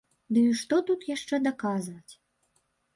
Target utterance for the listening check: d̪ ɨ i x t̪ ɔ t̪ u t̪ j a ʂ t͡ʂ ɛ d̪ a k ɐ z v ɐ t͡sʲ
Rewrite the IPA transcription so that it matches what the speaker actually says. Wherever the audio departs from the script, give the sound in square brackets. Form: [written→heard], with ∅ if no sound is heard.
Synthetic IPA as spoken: d̪ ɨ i [x→ʂ] t̪ ɔ t̪ u t̪ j a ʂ t͡ʂ ɛ d̪ a k [ɐ→a] z v ɐ t͡sʲ

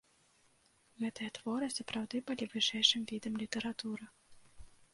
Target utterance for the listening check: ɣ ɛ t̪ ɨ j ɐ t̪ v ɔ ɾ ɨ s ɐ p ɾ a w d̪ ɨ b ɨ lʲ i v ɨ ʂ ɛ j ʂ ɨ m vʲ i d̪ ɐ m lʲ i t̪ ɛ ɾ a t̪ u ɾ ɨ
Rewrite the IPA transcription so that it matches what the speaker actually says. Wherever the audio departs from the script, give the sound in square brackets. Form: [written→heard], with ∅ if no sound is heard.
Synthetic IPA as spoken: ɣ ɛ t̪ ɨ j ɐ t̪ v ɔ ɾ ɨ s ɐ p ɾ a w d̪ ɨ b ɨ lʲ i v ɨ ʂ ɛ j ʂ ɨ m vʲ i d̪ ɐ m lʲ i t̪ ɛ ɾ a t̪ u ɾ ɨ

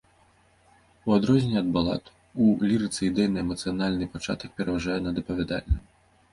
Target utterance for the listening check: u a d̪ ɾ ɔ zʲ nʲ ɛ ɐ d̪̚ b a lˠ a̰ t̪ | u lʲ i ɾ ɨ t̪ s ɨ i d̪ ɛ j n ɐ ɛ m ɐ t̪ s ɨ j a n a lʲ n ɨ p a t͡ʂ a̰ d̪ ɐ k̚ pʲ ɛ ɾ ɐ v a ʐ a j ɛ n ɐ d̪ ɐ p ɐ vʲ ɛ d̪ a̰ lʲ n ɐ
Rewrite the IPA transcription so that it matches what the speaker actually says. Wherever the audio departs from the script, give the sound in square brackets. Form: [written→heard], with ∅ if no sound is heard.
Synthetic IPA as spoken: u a d̪ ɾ ɔ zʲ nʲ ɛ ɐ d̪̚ b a lˠ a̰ t̪ | u lʲ i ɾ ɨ t̪ s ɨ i d̪ ɛ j n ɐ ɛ m ɐ t̪ s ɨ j a n a lʲ n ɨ p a t͡ʂ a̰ [d̪→t̪] ɐ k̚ pʲ ɛ ɾ ɐ v a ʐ a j ɛ n ɐ d̪ ɐ p ɐ vʲ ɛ d̪ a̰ lʲ n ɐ

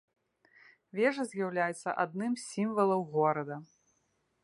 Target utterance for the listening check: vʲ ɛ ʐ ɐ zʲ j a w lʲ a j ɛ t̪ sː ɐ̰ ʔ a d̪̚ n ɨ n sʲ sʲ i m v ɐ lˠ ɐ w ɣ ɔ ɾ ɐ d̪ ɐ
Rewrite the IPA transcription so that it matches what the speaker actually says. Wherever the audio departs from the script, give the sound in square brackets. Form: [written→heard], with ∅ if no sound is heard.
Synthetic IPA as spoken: vʲ ɛ ʐ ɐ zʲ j a w lʲ a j ɛ t̪ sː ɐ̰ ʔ a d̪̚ n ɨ [n→m] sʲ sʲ i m v ɐ lˠ ɐ w ɣ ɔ ɾ ɐ d̪ ɐ

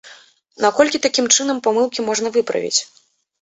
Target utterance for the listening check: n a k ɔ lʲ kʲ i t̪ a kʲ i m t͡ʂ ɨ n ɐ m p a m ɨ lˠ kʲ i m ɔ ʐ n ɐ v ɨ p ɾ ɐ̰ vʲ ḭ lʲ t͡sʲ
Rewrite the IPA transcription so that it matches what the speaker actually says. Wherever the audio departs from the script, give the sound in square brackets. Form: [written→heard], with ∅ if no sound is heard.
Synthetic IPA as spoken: n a k ɔ lʲ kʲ i t̪ a kʲ i m t͡ʂ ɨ n ɐ m p a m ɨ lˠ kʲ i m ɔ ʐ n ɐ v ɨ p ɾ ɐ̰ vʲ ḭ [lʲ→∅] t͡sʲ

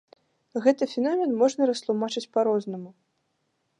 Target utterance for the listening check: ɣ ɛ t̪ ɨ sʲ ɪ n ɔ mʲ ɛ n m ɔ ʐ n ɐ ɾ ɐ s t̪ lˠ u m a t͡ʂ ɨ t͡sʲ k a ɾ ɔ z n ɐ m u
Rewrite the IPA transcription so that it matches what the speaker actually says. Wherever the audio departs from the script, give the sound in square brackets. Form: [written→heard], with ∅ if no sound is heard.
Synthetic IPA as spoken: ɣ ɛ t̪ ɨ [sʲ→fʲ] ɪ n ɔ mʲ ɛ n m ɔ ʐ n ɐ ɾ ɐ s t̪ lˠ u m a t͡ʂ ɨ t͡sʲ [k→p] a ɾ ɔ z n ɐ m u

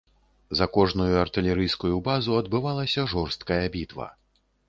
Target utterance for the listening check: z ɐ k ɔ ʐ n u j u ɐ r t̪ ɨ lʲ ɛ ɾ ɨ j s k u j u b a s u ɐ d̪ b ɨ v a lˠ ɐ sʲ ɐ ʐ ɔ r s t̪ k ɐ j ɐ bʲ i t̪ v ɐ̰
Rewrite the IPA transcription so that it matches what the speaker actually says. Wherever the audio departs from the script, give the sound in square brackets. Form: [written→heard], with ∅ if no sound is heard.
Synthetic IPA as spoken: z ɐ k ɔ ʐ n u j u ɐ r t̪ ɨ lʲ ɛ ɾ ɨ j s k u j u b a [s→z] u ɐ d̪ b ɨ v a lˠ ɐ sʲ ɐ ʐ ɔ r s t̪ k ɐ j ɐ bʲ i t̪ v ɐ̰

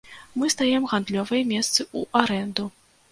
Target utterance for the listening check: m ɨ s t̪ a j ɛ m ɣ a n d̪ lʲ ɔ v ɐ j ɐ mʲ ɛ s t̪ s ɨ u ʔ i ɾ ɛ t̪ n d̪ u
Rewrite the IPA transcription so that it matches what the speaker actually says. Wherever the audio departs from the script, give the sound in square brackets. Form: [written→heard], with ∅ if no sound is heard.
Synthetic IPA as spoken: m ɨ s t̪ a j ɛ m ɣ a n d̪ lʲ ɔ v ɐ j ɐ mʲ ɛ s t̪ s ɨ u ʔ [i→a] ɾ ɛ [t̪→∅] n d̪ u

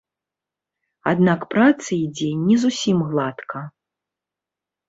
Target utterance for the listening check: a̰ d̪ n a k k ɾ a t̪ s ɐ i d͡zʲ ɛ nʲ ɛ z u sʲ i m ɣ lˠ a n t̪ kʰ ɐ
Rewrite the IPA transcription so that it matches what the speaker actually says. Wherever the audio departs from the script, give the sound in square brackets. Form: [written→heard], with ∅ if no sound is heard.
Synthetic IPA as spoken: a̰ d̪ n a k [k→p] ɾ a t̪ s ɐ i d͡zʲ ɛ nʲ ɛ z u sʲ i m ɣ lˠ a [n→∅] t̪ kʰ ɐ

